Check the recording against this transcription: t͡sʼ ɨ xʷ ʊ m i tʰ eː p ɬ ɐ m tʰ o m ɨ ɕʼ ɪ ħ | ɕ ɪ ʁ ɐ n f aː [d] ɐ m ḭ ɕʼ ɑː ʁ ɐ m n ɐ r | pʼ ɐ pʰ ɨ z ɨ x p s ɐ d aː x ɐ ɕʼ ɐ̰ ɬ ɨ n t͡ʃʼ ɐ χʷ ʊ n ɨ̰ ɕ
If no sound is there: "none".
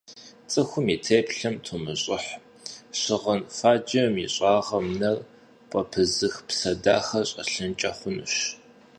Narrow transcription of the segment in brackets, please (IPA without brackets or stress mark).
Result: d͡ʒ